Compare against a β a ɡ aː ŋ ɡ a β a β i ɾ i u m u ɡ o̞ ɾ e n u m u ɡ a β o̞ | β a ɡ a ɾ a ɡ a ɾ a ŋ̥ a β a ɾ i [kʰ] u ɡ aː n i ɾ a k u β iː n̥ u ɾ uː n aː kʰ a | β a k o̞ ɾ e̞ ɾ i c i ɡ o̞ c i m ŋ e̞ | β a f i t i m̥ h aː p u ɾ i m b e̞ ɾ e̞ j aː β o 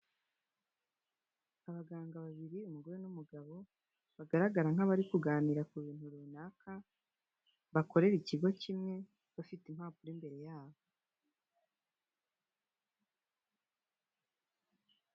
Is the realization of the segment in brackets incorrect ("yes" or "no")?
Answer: yes